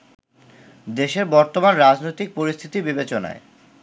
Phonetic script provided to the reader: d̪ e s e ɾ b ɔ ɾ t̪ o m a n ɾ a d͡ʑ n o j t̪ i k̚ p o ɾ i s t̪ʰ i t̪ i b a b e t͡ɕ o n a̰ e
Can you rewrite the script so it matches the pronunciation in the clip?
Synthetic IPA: d̪ e ʃ e ɾ b ɔ ɾ t̪ o m a n ɾ a d͡ʑ n o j t̪ i k̚ p o ɾ i s t̪ʰ i t̪ i b i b e t͡ɕ o n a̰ e